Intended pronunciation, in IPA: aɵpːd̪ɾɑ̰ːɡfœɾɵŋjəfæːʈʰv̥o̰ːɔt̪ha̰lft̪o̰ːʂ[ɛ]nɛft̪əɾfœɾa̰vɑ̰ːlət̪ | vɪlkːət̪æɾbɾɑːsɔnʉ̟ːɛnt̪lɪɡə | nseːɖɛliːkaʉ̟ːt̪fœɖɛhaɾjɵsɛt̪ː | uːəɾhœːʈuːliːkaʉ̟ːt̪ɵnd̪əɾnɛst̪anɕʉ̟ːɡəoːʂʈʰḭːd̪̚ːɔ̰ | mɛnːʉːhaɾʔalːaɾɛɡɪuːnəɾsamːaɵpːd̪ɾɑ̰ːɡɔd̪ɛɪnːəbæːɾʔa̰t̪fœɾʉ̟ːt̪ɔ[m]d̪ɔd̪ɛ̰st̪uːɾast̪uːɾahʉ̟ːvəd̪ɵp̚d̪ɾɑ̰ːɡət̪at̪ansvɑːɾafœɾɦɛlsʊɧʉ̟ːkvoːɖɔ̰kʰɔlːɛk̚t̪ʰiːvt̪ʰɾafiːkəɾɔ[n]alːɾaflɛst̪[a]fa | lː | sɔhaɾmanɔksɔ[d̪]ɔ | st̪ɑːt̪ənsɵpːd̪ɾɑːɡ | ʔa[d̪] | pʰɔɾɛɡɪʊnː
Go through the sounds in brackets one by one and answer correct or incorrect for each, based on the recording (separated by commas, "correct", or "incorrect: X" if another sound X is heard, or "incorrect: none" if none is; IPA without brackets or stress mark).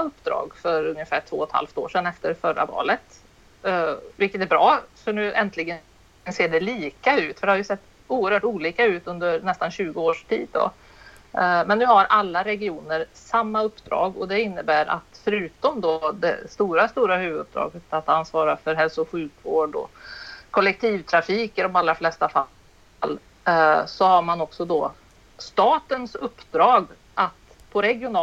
correct, correct, incorrect: m, correct, correct, incorrect: t̪